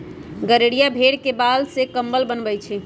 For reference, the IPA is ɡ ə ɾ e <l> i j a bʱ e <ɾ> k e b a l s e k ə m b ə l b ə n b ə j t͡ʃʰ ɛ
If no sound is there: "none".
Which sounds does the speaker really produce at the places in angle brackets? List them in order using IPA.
ɽ, ɽ

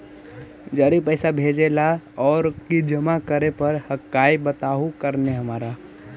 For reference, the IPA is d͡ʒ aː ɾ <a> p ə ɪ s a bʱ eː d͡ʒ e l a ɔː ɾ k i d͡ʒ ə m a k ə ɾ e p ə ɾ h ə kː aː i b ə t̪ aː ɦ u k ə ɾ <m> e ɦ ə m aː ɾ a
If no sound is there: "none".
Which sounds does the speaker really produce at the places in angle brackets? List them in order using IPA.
i, n

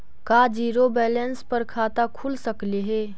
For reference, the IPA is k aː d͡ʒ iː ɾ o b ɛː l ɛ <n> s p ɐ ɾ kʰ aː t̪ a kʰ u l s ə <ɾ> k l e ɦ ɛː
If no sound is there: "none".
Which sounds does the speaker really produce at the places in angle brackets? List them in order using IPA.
n, none

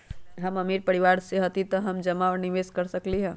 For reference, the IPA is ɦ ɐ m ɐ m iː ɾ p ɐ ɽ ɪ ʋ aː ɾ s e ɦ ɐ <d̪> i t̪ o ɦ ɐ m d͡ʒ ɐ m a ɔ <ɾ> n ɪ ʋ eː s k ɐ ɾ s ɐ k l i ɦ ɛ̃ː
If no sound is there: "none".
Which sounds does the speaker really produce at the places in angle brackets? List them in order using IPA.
t̪, ɾ

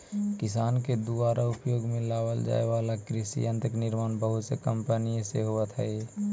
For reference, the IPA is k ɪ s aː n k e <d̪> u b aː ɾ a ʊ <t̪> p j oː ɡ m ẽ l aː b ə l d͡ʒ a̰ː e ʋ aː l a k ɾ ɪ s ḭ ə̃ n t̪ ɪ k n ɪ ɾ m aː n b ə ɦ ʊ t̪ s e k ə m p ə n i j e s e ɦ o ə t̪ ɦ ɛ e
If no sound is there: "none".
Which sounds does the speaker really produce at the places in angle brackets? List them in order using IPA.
d̪, none

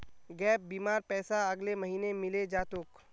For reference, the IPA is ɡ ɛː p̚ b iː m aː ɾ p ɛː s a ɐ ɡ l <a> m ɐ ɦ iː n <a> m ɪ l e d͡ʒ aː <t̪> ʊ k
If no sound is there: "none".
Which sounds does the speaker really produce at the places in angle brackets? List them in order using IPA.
e, e, t̪

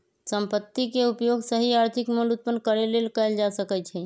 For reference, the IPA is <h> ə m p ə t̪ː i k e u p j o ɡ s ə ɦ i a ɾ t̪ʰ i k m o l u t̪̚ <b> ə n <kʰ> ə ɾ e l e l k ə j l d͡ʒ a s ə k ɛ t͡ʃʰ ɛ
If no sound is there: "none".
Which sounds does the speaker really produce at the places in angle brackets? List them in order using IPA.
s, p, k

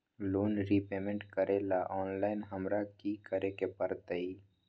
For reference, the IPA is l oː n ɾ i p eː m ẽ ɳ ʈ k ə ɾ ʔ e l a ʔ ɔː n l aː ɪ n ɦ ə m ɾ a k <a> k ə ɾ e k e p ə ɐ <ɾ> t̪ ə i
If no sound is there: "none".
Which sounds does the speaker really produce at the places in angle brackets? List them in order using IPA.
i, ɾ

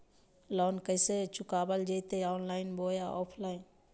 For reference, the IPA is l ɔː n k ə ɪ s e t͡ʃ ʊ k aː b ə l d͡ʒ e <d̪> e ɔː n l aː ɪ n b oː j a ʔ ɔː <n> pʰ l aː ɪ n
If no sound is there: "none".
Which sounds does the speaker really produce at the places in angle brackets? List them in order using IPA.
t̪, none

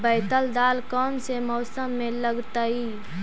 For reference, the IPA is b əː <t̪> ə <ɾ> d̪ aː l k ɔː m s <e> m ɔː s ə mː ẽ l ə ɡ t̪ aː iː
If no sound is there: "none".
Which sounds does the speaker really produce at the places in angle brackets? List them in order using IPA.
t̪, l, e

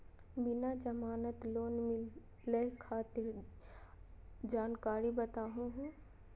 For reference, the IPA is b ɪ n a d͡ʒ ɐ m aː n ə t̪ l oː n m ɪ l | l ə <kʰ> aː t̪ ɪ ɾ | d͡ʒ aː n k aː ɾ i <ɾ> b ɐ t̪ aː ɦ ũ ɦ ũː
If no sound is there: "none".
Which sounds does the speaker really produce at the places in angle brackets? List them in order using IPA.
kʰ, none

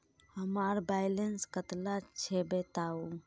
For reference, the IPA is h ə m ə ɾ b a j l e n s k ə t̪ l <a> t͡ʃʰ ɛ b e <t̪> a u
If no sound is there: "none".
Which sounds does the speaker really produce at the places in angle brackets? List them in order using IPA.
a, t̪

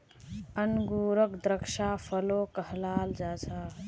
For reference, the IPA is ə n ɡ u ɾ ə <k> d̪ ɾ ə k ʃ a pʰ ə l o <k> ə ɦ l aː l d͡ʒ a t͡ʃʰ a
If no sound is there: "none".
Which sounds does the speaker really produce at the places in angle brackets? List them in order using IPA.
k, k

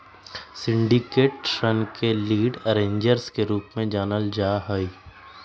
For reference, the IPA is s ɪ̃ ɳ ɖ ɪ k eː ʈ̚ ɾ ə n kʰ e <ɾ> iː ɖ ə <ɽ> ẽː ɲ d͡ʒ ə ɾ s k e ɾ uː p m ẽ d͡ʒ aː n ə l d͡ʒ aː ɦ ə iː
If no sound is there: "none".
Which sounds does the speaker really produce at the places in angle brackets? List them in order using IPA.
l, ɾ

